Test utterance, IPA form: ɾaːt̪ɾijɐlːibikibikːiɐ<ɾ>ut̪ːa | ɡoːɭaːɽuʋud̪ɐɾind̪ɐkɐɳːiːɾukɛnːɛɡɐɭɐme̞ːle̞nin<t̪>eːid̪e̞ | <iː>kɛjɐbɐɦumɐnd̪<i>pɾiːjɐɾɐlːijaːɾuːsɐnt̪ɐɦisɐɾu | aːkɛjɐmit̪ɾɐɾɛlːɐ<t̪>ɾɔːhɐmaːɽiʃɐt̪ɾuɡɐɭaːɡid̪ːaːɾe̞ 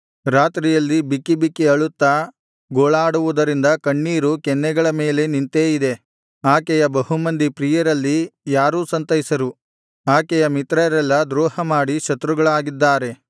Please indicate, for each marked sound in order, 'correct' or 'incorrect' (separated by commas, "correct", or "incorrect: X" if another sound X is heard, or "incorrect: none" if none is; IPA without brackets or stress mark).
incorrect: ɭ, correct, incorrect: aː, correct, incorrect: d̪